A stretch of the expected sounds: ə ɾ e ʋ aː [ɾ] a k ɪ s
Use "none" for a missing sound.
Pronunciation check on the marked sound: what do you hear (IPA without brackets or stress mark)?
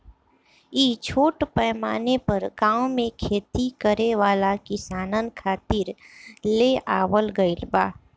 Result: l